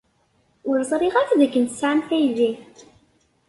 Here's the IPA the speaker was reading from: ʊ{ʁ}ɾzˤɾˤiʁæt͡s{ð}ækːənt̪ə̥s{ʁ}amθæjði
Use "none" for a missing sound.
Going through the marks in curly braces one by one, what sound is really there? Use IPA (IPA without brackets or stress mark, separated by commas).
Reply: none, ð, ʕ